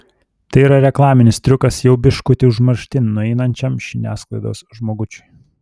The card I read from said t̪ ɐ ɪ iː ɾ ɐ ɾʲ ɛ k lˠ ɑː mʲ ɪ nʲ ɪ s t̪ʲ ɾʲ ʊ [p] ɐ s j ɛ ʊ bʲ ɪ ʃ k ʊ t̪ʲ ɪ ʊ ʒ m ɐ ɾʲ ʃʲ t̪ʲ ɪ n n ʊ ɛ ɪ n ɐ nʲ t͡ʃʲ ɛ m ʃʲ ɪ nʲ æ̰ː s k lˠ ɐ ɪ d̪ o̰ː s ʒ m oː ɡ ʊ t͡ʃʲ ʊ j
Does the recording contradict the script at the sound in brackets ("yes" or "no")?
yes